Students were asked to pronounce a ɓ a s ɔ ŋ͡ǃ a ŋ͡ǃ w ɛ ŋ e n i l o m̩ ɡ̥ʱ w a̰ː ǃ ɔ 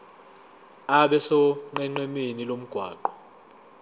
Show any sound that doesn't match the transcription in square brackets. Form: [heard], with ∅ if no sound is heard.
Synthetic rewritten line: a ɓ [ɛ] s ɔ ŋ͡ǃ [ɛ] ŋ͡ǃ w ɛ [m] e n i l o m̩ ɡ̥ʱ w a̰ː ǃ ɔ